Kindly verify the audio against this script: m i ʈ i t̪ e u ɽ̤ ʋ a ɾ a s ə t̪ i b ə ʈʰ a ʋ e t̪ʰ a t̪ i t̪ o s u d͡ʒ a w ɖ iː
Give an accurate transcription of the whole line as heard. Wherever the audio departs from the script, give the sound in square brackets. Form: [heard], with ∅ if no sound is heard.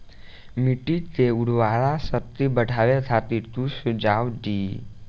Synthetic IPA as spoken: m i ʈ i t̪ e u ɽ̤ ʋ a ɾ a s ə t̪ i b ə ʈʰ a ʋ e t̪ʰ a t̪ i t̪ [u] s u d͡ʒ a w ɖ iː